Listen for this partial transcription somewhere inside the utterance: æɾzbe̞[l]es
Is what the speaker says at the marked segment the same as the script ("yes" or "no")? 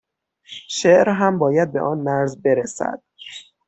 no